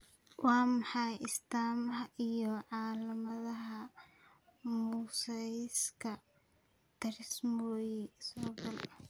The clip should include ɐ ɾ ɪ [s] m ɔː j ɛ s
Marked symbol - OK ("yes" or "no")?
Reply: yes